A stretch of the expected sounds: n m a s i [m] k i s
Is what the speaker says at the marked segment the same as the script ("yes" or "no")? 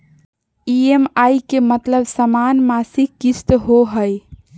no